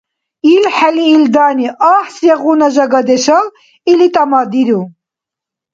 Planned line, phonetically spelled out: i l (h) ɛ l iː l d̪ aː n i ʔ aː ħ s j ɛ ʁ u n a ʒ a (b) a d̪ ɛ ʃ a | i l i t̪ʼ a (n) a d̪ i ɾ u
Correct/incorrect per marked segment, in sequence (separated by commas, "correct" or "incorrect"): incorrect, incorrect, incorrect